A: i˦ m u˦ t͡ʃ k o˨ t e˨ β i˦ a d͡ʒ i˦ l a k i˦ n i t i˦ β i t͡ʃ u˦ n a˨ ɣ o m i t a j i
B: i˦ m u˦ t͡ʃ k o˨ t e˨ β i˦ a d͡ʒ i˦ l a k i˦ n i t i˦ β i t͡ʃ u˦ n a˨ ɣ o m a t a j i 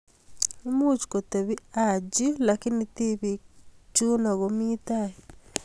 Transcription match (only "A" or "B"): A